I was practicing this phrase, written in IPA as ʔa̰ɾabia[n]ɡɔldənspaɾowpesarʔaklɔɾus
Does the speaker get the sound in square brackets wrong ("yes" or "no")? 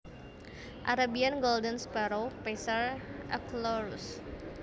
no